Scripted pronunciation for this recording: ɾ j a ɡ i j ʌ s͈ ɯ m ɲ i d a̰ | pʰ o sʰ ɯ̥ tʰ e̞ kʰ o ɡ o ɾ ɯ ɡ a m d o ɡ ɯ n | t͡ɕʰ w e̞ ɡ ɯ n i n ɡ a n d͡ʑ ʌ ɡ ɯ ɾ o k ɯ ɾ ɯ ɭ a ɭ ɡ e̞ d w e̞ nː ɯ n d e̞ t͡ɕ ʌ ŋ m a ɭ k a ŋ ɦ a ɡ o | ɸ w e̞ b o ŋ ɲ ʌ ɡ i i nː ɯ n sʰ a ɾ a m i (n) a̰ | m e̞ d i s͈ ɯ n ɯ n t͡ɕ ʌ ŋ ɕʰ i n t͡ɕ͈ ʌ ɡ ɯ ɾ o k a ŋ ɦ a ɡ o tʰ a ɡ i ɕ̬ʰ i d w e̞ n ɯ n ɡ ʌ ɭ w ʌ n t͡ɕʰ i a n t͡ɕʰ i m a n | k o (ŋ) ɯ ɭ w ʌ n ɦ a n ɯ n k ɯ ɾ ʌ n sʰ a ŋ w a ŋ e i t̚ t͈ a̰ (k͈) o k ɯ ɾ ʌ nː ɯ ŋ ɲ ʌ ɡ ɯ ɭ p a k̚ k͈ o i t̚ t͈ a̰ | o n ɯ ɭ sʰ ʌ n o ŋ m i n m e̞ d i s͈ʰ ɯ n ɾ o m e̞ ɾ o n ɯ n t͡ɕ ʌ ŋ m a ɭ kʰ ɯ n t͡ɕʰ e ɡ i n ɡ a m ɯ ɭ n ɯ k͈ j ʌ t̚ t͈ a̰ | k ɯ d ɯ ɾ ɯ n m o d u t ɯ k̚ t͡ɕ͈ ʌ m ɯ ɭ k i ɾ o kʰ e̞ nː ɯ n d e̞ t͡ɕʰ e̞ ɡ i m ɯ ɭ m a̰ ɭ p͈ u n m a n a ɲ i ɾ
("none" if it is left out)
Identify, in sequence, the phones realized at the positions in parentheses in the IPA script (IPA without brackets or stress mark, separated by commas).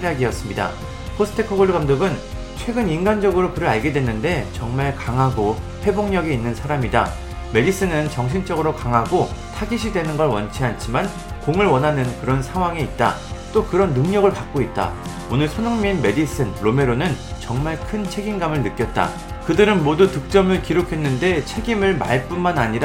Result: d, ŋ, t͈